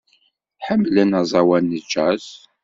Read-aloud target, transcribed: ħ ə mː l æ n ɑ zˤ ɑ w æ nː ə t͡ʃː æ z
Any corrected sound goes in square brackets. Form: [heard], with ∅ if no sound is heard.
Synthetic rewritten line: ħ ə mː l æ n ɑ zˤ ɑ w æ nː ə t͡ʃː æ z